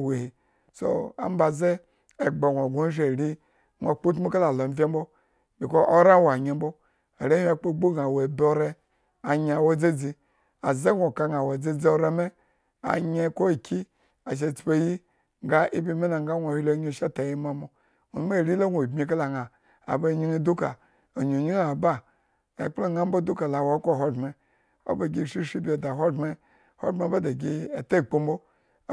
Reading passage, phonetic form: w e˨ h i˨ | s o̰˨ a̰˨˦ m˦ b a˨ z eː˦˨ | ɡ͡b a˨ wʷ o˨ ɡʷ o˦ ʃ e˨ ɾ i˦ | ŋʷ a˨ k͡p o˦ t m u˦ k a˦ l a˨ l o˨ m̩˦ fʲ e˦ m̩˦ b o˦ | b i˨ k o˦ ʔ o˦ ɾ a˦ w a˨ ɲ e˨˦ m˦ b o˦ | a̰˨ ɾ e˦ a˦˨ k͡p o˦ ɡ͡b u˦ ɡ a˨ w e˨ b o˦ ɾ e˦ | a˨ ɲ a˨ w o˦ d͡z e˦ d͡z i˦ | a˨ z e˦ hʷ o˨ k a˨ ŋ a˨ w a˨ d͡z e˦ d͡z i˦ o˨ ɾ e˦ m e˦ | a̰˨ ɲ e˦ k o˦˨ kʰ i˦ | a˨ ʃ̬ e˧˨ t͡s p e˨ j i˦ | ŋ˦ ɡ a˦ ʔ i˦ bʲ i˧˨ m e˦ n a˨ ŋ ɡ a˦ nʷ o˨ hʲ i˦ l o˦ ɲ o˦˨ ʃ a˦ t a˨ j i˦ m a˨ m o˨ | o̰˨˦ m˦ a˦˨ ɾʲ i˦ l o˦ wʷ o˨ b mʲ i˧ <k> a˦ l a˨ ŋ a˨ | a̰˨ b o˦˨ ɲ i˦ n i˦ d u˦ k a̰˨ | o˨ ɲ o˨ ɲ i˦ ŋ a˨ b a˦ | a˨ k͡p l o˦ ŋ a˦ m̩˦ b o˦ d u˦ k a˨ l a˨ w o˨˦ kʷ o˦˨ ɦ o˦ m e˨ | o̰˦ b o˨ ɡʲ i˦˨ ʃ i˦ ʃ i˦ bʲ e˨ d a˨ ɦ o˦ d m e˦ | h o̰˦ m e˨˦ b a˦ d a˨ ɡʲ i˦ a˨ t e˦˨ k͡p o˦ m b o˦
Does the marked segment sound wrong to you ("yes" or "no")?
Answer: no